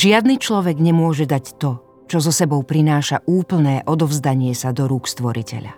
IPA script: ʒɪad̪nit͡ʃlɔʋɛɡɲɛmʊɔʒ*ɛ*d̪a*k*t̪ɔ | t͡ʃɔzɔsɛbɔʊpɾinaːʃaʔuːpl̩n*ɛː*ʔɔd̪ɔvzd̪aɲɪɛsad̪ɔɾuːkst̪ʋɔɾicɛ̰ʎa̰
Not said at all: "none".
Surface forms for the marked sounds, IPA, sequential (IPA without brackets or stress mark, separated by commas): ɛ, c, ɛː